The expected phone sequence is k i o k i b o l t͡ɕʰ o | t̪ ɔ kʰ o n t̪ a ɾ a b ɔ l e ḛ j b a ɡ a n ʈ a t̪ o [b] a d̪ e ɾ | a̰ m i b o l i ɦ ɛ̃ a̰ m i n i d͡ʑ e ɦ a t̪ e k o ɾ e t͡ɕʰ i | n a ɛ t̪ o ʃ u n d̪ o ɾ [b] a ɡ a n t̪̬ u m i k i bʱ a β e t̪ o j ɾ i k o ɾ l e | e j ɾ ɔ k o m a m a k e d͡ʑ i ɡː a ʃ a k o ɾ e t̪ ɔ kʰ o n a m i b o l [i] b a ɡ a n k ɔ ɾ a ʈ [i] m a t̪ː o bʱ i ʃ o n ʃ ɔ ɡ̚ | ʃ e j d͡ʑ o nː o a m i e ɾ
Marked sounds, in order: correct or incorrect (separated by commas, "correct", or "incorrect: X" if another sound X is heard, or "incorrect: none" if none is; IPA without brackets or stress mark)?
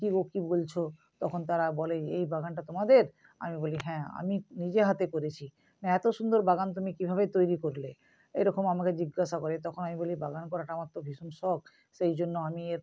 incorrect: m, correct, correct, incorrect: a